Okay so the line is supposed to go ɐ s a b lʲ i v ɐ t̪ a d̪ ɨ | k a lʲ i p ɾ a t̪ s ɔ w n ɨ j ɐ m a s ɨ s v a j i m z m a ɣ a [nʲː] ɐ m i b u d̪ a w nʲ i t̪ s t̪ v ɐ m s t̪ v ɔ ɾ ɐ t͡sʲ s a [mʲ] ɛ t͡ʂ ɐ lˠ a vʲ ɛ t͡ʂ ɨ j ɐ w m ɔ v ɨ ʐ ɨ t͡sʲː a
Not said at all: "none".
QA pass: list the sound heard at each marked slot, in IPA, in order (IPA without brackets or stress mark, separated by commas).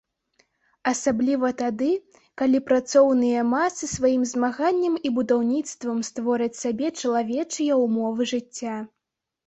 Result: nʲː, bʲ